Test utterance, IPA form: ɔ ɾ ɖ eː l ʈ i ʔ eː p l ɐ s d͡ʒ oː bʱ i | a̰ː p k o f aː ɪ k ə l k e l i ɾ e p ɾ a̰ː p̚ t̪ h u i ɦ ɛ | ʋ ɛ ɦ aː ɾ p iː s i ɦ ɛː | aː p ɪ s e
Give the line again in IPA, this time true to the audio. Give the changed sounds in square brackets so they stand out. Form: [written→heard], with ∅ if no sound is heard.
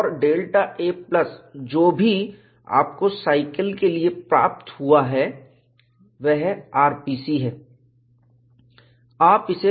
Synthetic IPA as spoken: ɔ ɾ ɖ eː l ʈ [i→a] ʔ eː p l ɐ s d͡ʒ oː bʱ i | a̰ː p k o [f→s] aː ɪ k ə l k e l i [ɾ→∅] e p ɾ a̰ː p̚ t̪ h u [i→a] ɦ ɛ | ʋ ɛ ɦ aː ɾ p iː s i ɦ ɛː | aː p ɪ s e